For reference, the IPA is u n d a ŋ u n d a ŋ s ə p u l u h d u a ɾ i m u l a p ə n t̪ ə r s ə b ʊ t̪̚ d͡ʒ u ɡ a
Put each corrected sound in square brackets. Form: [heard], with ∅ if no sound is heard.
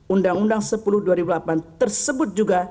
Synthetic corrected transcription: u n d a ŋ u n d a ŋ s ə p u l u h d u a ɾ i [b] u l a p [a] n t̪ ə r s ə b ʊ t̪̚ d͡ʒ u ɡ a